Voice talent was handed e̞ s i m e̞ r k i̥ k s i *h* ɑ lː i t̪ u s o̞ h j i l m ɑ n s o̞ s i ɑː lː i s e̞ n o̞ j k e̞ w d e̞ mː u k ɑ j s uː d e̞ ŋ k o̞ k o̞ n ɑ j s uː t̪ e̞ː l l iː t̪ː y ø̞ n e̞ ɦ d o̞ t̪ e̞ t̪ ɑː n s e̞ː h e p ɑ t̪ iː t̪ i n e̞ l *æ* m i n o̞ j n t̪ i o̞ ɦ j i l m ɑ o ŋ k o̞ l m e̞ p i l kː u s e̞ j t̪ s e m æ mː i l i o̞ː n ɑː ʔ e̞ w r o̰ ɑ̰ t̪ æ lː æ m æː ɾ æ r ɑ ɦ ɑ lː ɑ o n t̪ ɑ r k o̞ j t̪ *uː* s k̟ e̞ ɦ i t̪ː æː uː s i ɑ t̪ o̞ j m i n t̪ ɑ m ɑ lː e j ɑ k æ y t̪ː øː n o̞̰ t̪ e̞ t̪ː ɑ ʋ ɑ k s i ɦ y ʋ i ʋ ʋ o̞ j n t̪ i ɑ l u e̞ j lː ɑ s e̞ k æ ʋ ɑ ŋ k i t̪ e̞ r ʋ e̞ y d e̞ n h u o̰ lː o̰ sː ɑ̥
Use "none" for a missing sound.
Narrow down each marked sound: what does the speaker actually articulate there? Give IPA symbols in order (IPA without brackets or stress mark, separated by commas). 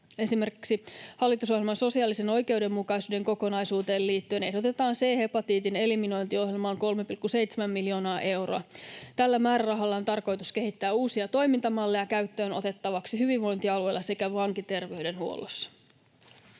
h, i, u